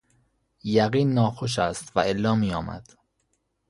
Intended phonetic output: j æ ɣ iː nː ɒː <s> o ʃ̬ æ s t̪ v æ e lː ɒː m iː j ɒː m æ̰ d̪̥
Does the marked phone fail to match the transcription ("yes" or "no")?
yes